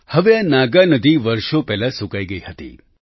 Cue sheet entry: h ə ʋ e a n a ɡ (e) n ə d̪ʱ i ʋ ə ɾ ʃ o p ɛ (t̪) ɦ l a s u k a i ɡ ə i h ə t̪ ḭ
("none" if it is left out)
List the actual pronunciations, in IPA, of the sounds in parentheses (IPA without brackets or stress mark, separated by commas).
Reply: a, none